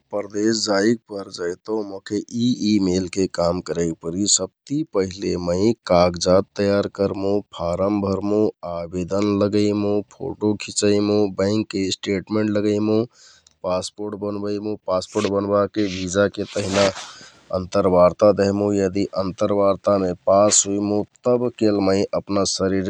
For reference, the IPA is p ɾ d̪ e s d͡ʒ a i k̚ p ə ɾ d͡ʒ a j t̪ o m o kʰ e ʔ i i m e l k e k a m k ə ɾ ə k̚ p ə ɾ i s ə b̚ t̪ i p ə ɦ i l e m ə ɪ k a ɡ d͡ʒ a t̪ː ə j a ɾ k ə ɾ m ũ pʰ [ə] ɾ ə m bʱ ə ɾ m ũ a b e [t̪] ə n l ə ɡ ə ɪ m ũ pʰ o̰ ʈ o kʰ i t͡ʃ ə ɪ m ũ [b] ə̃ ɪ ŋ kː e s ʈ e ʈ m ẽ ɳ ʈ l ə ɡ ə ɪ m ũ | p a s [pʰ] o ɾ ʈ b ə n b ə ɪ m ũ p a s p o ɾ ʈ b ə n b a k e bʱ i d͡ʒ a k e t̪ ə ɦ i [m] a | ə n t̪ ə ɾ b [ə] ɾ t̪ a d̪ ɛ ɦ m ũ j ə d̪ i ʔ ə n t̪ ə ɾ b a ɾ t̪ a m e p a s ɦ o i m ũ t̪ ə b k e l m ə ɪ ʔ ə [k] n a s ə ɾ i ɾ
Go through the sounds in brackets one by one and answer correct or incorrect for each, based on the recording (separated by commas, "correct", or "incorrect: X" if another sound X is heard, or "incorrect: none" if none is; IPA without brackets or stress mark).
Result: incorrect: a, incorrect: d̪, correct, incorrect: p, incorrect: n, incorrect: a, incorrect: p